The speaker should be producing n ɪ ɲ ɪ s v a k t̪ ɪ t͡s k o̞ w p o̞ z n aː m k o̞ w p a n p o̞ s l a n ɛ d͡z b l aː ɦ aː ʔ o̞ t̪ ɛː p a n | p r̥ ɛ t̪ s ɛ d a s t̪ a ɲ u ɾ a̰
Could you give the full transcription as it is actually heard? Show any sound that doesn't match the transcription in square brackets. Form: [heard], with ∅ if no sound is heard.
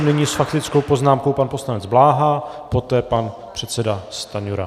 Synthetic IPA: n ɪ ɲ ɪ s [f] a k t̪ ɪ t͡s k o̞ w p o̞ z n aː m k o̞ w p a n p o̞ s l a n ɛ d͡z b l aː ɦ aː [p] o̞ t̪ ɛː p a n | p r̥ ɛ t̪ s ɛ d a s t̪ a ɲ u ɾ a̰